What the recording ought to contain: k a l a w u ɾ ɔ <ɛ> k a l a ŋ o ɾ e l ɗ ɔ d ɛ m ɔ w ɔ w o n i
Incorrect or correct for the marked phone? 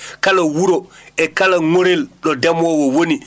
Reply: correct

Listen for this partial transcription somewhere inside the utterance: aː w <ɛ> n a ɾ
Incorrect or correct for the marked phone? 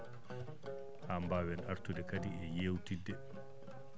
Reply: correct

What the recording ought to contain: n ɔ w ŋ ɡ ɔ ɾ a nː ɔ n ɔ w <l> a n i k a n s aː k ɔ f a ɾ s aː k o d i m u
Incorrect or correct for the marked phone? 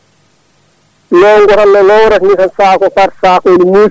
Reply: incorrect: ɾ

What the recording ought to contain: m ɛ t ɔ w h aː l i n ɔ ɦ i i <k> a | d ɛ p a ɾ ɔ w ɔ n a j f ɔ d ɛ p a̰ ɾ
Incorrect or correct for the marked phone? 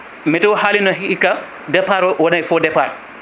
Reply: correct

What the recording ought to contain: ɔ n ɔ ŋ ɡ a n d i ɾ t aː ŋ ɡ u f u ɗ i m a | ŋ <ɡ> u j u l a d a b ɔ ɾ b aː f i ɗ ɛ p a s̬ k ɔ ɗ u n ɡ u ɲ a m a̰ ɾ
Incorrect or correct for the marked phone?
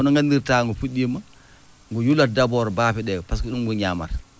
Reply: correct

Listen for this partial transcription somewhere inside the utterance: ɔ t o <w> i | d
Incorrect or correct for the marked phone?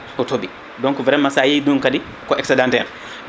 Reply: incorrect: b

